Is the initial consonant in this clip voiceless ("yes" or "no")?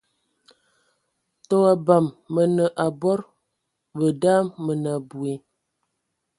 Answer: yes